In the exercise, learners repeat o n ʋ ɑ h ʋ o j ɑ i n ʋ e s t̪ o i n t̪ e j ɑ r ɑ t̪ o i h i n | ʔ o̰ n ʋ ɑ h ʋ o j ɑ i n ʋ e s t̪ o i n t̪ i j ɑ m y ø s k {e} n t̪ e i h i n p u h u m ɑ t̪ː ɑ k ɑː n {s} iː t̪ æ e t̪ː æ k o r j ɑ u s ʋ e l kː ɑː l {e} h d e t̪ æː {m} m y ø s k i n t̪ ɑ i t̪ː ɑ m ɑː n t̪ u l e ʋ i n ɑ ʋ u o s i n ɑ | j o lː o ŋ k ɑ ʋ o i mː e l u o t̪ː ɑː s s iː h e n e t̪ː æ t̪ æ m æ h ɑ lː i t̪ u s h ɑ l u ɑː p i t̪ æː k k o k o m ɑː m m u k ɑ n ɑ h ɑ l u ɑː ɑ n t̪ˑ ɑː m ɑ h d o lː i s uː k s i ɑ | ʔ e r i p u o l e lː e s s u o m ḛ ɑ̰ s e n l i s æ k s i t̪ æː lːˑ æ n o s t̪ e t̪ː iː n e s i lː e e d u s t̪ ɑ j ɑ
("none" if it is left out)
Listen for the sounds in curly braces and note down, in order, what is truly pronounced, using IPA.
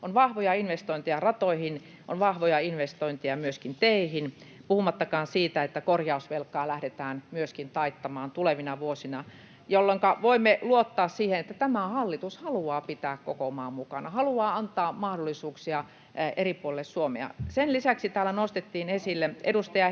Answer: i, s, æ, n

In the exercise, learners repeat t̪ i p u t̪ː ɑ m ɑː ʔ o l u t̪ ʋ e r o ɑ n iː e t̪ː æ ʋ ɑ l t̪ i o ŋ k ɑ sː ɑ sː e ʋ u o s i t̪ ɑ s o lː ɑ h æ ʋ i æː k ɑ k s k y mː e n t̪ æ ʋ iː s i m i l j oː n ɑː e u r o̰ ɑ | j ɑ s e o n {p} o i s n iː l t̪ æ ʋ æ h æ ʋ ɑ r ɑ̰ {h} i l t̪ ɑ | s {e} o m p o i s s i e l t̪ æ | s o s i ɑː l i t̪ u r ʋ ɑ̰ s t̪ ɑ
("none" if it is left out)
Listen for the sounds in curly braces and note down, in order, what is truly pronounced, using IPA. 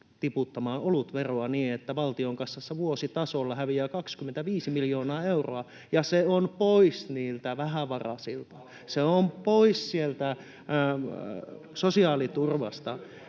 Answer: p, s, e

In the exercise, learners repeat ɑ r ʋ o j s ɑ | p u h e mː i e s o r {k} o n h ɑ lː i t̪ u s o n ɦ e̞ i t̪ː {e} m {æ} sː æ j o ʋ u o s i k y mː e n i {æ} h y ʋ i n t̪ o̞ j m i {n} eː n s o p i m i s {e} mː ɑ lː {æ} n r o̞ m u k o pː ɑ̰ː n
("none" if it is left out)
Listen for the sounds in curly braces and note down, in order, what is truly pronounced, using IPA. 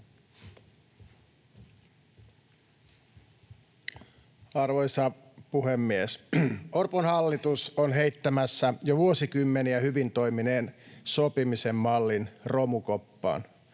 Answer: p, æ, æ, æ, n, e, i

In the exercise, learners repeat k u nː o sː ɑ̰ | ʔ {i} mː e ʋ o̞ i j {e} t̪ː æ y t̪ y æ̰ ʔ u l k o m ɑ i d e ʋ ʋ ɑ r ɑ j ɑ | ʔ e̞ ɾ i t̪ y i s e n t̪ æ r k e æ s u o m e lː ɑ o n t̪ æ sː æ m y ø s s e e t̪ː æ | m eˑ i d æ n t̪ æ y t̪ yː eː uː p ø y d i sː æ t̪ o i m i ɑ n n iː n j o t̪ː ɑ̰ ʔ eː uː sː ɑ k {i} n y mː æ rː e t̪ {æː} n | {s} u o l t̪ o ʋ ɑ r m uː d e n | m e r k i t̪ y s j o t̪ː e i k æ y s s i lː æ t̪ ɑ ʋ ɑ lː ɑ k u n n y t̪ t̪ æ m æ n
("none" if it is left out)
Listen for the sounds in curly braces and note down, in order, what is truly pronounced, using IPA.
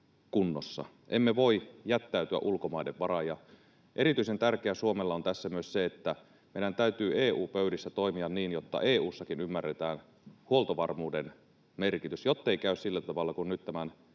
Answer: e, æ, i, æː, h

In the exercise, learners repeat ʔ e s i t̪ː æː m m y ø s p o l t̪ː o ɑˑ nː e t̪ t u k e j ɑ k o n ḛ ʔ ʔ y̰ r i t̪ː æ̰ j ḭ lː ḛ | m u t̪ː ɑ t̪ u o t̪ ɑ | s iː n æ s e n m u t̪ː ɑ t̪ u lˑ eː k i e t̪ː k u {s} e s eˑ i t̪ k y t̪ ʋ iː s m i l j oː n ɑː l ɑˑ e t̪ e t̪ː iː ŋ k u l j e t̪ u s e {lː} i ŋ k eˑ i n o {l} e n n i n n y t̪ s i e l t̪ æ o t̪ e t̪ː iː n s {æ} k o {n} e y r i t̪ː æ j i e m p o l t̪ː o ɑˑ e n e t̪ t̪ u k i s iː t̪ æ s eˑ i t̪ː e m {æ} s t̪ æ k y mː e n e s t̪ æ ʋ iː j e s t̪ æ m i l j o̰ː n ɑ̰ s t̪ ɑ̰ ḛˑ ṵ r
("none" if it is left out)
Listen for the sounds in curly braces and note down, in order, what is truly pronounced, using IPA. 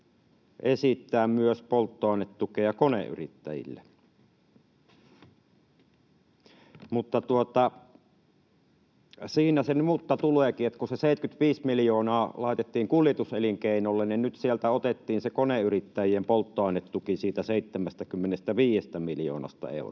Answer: s, l, lː, e, n, æ

